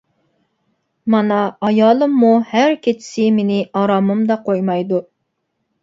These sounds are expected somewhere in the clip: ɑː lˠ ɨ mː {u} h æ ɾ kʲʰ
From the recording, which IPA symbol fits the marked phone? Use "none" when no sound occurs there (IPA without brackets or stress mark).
u